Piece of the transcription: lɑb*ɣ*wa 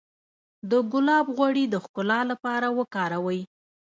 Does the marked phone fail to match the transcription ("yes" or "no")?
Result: no